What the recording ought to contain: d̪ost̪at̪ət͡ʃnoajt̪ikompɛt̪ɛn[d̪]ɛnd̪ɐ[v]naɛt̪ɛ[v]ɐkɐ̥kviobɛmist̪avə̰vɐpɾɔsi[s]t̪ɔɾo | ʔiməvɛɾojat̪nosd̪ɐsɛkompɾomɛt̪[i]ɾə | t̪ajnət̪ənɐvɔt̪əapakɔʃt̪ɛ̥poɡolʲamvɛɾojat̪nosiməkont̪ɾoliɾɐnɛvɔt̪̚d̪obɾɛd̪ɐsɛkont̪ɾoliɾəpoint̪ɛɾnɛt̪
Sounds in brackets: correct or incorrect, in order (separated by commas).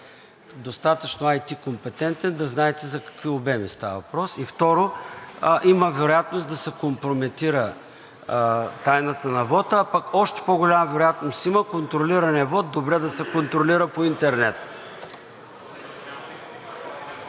incorrect, incorrect, incorrect, incorrect, correct